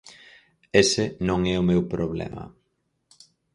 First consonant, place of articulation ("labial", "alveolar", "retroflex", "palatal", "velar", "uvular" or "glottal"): alveolar